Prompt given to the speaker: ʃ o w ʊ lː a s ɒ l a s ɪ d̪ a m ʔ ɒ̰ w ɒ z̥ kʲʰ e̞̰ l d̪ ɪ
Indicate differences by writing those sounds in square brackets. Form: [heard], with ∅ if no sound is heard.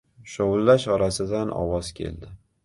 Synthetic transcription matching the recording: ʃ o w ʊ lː a [ʃ] ɒ [ɾ] a s ɪ d̪ a [n] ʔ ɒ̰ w ɒ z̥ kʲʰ e̞̰ l d̪ ɪ